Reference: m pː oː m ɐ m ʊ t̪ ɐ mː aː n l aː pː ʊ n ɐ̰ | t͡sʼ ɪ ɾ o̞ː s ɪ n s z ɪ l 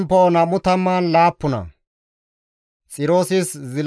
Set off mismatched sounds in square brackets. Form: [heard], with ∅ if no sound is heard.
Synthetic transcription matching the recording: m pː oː [n] ɐ m ʊ t̪ ɐ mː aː n l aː pː ʊ n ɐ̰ | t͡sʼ ɪ ɾ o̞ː s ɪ [∅] s z ɪ l